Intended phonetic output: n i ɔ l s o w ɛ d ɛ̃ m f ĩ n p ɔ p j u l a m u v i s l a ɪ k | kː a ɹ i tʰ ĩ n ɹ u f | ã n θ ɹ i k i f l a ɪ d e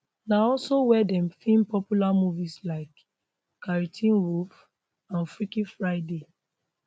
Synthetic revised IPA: n a ɔ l s o w ɛ d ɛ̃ m f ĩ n p ɔ p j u l a m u v i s l a ɪ k | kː a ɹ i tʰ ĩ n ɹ u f | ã n f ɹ i k i f ɹ a ɪ d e